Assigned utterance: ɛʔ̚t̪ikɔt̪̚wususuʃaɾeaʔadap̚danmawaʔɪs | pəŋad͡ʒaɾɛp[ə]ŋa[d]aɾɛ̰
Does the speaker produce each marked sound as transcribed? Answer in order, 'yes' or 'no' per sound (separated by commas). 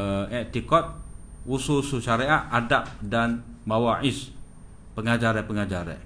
yes, no